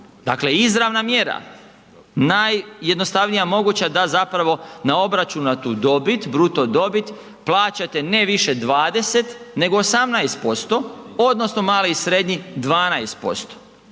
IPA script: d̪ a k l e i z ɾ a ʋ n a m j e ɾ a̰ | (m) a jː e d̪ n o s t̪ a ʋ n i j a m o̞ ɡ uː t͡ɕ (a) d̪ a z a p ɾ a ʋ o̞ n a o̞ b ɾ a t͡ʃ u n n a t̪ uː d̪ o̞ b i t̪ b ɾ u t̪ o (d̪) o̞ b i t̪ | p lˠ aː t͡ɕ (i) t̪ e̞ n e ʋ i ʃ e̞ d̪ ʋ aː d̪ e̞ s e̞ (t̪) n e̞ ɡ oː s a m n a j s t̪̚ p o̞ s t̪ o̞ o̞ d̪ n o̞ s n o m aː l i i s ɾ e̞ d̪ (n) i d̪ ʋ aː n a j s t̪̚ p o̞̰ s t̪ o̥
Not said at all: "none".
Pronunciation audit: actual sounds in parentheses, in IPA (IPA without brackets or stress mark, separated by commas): n, a, d̪, a, t̪, ɲ